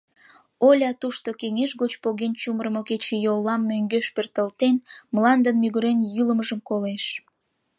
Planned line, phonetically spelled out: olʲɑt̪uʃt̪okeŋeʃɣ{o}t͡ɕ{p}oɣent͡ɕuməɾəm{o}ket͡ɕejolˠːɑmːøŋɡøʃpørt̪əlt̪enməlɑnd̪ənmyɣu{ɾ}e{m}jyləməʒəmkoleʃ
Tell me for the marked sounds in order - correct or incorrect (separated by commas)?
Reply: correct, correct, correct, correct, incorrect